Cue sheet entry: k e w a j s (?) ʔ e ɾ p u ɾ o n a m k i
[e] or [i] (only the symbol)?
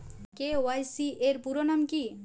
i